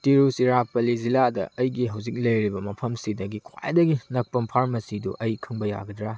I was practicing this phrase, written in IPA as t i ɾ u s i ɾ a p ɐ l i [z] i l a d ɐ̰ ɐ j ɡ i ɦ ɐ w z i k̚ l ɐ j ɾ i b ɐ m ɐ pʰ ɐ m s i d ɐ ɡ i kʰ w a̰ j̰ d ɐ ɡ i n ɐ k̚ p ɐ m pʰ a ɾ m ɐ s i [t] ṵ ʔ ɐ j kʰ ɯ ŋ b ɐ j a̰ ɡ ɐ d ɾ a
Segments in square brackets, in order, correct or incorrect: correct, incorrect: d

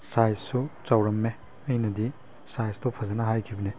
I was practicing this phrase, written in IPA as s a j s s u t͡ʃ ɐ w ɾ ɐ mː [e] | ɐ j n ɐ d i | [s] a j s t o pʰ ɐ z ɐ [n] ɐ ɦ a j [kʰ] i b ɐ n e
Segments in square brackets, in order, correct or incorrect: correct, correct, correct, correct

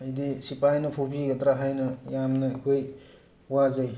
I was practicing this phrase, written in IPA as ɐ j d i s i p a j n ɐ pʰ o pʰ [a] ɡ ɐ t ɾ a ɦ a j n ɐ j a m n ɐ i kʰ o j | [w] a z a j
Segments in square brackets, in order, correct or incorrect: incorrect: i, correct

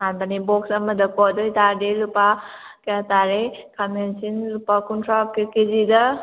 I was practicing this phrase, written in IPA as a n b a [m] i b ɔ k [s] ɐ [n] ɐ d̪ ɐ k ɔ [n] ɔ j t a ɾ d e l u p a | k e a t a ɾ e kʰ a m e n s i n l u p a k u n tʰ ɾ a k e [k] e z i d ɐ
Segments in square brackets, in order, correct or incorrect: incorrect: n, correct, incorrect: m, incorrect: d, correct

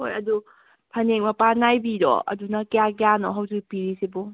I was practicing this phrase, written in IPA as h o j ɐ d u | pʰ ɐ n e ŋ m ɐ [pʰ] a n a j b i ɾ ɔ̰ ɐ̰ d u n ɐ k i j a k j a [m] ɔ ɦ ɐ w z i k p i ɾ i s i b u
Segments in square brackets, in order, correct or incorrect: incorrect: p, incorrect: n

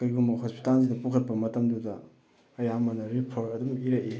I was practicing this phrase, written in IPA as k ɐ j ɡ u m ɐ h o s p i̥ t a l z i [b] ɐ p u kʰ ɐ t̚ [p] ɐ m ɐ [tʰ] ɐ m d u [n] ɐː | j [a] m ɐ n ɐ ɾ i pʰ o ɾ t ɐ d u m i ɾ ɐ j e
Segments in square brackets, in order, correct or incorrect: incorrect: d, correct, incorrect: t, incorrect: d, correct

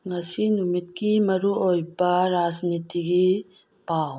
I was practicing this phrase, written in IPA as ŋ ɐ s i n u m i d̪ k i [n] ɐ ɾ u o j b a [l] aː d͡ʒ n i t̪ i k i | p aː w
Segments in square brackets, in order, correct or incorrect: incorrect: m, incorrect: ɾ

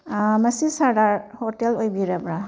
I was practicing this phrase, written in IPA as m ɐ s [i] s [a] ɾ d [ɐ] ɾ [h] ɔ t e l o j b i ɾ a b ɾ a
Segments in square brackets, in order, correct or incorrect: correct, correct, incorrect: a, correct

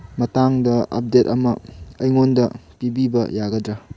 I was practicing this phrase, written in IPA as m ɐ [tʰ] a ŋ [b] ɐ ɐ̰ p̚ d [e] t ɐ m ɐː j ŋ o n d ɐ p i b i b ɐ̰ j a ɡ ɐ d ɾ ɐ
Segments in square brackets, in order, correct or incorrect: incorrect: t, incorrect: d, correct

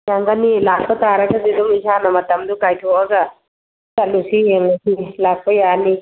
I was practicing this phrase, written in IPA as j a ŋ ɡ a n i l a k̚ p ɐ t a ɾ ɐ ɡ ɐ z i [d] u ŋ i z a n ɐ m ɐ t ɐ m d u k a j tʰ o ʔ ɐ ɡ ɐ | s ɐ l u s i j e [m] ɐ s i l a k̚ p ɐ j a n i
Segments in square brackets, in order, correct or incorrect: correct, incorrect: ŋ

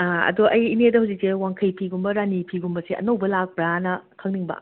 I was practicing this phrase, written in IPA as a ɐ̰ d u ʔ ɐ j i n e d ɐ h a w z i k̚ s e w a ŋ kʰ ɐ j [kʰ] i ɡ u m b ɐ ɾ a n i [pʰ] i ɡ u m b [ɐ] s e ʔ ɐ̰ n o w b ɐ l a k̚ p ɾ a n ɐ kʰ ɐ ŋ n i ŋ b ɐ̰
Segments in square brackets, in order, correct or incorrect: incorrect: pʰ, correct, correct

